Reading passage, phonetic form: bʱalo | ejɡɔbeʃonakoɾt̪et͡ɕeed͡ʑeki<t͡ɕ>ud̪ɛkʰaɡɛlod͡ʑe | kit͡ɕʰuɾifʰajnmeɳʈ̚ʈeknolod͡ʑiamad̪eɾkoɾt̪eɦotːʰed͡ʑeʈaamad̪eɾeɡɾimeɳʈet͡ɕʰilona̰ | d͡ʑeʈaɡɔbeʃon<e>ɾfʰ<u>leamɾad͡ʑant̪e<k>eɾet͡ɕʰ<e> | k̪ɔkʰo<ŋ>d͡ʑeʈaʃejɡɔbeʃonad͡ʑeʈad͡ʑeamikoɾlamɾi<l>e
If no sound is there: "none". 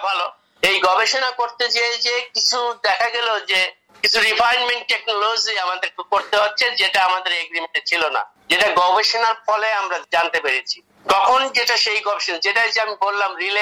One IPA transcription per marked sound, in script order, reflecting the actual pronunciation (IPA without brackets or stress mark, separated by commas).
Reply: t͡ɕʰ, a, ɔ, p, i, n, l